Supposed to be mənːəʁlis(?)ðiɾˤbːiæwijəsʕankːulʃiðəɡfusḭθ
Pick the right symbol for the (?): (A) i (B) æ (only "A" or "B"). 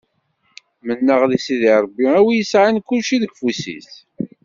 A